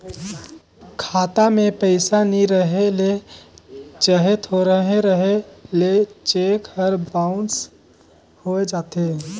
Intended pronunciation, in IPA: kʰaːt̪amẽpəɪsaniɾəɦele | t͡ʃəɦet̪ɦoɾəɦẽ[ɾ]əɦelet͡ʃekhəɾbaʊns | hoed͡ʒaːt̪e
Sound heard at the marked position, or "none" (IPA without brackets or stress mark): ɾ